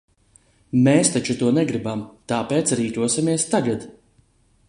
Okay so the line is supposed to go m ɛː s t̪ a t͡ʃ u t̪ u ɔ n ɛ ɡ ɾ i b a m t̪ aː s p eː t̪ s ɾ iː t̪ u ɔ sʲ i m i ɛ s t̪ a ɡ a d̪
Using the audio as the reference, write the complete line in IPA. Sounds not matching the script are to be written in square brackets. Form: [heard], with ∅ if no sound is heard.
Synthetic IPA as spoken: m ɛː s t̪ a t͡ʃ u t̪ u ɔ n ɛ ɡ ɾ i b a m t̪ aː [∅] p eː t̪ s ɾ iː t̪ u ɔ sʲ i m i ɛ s t̪ a ɡ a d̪